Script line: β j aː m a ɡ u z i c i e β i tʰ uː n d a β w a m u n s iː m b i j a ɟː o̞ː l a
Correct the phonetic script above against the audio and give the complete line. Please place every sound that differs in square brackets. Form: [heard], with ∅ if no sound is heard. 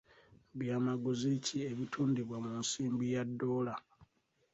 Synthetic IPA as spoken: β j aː m a ɡ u z i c i e β i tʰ uː n d [i] β w a m u n s iː m b i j a [dː] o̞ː l a